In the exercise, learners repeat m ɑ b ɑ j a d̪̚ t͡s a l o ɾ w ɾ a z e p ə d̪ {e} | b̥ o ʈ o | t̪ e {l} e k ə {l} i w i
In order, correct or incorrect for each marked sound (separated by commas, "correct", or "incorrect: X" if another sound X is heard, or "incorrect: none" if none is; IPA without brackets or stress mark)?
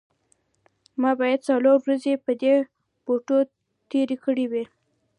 correct, incorrect: ɾ, incorrect: ɽ